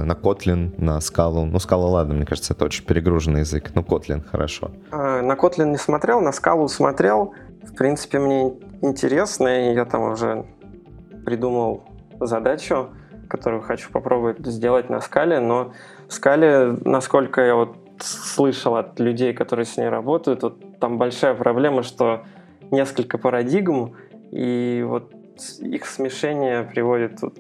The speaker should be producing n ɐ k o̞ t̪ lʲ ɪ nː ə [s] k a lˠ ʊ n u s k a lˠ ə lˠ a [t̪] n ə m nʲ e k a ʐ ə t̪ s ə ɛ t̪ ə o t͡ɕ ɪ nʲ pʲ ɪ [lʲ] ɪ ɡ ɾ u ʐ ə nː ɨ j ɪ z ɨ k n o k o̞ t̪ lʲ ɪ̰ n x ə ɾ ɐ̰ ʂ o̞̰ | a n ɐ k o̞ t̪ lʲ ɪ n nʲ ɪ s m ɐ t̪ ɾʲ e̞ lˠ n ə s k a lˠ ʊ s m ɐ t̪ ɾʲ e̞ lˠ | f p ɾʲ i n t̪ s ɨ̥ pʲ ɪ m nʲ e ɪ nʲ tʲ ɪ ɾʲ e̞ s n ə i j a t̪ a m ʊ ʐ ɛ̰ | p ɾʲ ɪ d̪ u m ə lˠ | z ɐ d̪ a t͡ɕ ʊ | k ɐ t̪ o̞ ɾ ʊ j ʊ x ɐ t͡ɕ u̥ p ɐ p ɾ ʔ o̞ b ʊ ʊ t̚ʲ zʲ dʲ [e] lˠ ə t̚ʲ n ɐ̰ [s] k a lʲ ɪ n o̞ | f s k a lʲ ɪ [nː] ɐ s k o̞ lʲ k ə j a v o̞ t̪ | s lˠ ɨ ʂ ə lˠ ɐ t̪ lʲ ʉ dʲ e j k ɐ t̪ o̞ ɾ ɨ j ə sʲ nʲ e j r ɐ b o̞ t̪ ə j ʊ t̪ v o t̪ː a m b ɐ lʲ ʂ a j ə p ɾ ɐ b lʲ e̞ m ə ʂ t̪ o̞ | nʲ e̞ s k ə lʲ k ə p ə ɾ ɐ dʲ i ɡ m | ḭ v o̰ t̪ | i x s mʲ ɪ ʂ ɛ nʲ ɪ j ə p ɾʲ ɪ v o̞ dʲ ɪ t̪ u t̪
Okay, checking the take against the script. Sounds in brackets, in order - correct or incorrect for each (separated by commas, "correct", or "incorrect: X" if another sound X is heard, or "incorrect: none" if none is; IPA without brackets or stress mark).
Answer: correct, incorrect: d̪, incorrect: ɾʲ, correct, correct, incorrect: n